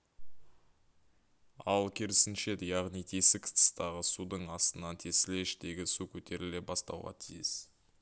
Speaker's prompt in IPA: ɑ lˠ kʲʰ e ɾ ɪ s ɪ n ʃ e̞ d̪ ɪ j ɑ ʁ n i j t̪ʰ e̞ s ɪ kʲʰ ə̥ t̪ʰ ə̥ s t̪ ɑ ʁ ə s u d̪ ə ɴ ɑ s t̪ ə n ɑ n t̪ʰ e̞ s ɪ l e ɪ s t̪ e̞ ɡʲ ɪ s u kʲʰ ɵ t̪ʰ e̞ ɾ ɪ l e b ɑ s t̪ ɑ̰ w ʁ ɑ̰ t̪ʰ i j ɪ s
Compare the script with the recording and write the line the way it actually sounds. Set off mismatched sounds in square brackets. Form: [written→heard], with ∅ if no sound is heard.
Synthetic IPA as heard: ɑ lˠ kʲʰ e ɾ ɪ s ɪ n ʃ e̞ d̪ ɪ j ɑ ʁ n i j t̪ʰ e̞ s ɪ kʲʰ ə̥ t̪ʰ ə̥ s t̪ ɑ ʁ ə s u d̪ ə ɴ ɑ s t̪ ə n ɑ n t̪ʰ e̞ s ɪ l e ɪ [s→ʃ] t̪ e̞ ɡʲ ɪ s u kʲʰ ɵ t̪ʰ e̞ ɾ ɪ l e b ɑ s t̪ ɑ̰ w ʁ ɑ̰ t̪ʰ i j ɪ s